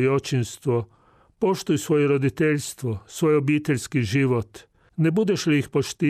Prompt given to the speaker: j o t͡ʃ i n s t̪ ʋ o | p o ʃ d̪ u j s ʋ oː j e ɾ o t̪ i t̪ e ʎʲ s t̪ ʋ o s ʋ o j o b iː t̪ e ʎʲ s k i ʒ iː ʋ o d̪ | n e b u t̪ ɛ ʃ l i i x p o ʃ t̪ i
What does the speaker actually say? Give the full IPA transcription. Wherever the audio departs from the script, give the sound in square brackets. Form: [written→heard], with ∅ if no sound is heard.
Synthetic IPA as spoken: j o t͡ʃ i n s t̪ ʋ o | p o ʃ [d̪→t̪] u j s ʋ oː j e ɾ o [t̪→d̪] i t̪ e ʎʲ s t̪ ʋ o s ʋ o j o b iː t̪ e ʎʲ s k i ʒ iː ʋ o [d̪→t̪] | n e b u [t̪→d̪] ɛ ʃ l i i x p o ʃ t̪ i